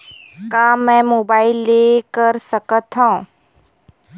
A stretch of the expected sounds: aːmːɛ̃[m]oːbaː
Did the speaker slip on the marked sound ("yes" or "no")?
no